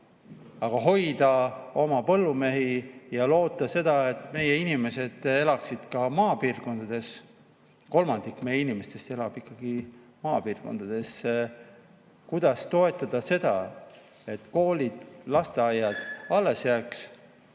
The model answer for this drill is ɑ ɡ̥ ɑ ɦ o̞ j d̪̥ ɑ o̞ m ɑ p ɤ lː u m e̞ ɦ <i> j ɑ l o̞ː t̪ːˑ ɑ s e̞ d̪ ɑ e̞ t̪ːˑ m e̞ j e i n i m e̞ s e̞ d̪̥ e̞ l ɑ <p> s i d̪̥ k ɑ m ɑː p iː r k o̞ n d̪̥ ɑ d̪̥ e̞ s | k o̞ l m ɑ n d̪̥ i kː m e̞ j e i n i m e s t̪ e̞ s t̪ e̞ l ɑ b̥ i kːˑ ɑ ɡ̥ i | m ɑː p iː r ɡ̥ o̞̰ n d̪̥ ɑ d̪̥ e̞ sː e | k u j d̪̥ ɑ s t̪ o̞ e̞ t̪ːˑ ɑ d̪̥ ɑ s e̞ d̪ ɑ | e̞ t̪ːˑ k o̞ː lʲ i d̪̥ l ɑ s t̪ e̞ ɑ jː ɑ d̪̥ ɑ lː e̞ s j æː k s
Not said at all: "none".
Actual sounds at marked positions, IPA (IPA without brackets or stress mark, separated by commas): i, k